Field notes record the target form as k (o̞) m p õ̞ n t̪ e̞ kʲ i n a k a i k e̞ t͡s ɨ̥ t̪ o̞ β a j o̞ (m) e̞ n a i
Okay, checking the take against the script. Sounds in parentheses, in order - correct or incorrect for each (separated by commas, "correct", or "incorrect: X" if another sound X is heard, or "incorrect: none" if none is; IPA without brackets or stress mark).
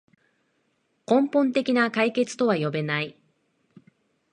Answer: incorrect: õ̞, incorrect: b